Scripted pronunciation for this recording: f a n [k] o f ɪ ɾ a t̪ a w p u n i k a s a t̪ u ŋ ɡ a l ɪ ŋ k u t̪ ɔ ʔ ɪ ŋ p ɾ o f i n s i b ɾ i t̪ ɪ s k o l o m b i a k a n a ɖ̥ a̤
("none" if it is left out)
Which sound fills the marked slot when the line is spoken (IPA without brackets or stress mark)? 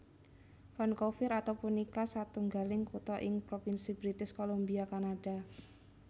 k